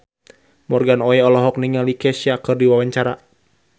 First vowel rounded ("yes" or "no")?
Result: yes